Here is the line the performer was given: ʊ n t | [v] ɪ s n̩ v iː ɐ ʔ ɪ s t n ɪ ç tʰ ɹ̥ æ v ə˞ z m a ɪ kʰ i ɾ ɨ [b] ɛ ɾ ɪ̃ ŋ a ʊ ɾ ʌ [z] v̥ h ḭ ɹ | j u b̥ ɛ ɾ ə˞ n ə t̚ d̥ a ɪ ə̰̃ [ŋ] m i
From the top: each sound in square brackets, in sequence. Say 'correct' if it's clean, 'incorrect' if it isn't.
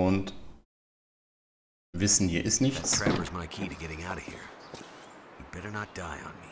correct, incorrect: ɡ, incorrect: none, incorrect: n

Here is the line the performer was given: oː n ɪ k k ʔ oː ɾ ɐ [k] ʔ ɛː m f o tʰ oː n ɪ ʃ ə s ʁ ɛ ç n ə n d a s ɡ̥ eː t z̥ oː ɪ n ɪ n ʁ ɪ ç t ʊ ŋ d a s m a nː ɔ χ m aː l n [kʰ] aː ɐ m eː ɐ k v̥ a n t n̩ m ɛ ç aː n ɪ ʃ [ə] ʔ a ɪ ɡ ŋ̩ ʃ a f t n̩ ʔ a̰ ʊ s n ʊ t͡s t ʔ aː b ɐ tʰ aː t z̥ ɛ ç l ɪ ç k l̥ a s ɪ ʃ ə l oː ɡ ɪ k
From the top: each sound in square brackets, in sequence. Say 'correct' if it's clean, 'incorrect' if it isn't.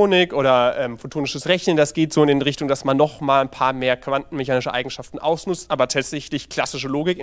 incorrect: none, incorrect: pʰ, correct

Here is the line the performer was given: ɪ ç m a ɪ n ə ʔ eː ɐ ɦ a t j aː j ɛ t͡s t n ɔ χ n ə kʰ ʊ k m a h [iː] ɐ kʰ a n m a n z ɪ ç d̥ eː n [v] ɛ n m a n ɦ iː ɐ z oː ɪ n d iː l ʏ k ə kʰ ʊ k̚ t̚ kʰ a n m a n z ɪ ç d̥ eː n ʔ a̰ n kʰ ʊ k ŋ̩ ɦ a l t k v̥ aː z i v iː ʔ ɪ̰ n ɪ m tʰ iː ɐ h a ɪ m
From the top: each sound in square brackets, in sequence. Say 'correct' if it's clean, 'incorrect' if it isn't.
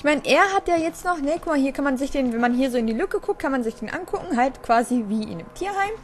correct, correct

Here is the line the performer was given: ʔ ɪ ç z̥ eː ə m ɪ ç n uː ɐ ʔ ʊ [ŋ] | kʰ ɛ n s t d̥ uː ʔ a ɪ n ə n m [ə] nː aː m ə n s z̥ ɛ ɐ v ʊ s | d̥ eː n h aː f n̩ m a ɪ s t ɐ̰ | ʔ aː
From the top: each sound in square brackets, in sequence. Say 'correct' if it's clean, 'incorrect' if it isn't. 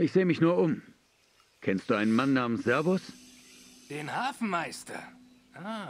incorrect: m, incorrect: a

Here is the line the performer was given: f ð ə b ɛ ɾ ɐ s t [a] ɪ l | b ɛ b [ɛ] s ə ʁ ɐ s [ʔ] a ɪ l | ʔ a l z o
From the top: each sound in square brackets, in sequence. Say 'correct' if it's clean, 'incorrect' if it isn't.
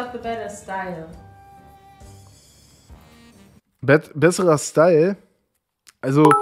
correct, correct, incorrect: t

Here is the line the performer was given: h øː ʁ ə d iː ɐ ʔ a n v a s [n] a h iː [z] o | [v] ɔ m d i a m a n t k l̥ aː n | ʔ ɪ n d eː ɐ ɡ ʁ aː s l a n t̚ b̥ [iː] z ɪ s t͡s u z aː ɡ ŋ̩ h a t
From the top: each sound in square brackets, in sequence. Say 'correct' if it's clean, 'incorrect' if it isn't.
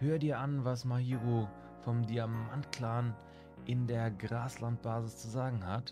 incorrect: m, incorrect: ʁ, incorrect: f, incorrect: aː

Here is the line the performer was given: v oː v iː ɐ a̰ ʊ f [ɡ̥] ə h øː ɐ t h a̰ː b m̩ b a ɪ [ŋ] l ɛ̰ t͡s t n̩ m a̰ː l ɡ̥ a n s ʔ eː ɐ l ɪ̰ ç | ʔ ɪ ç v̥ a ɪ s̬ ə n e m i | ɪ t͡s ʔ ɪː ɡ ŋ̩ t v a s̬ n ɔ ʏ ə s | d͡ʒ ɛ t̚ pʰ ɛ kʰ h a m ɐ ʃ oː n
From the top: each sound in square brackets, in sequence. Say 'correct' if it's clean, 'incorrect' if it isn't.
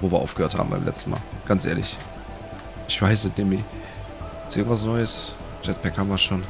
correct, incorrect: m

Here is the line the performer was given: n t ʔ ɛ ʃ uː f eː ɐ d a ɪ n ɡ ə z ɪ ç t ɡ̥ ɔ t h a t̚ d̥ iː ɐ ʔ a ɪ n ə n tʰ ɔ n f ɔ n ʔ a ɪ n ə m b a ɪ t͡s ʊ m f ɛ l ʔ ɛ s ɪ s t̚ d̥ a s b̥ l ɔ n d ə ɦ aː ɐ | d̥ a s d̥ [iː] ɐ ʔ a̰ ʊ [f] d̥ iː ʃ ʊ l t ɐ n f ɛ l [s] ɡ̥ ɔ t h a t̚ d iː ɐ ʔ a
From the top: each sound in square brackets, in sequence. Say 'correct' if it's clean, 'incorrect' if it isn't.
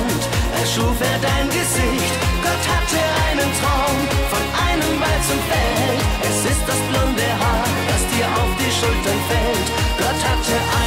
correct, correct, incorrect: t

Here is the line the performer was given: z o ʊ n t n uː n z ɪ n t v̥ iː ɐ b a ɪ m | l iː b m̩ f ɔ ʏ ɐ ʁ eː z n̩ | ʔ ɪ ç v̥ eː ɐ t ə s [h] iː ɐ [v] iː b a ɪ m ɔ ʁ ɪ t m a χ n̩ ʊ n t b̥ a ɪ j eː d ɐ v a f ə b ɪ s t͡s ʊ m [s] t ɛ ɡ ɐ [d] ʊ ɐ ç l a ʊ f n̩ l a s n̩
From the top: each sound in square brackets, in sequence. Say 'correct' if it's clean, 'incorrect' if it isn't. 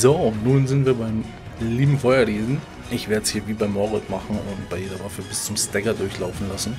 correct, correct, correct, correct

